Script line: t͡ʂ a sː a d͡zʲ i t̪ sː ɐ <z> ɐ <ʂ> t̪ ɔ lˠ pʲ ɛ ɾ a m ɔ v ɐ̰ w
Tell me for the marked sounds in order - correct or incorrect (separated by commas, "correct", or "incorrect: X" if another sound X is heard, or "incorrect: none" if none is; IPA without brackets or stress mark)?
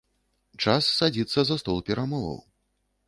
correct, incorrect: s